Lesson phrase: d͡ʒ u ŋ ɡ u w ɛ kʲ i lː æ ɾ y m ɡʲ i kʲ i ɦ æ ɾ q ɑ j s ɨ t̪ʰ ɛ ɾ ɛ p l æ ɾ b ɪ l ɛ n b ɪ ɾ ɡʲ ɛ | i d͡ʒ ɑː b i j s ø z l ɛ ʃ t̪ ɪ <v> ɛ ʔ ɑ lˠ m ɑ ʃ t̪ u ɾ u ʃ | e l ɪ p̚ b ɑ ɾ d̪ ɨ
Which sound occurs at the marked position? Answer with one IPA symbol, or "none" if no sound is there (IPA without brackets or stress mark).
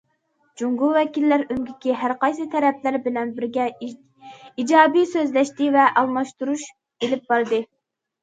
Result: v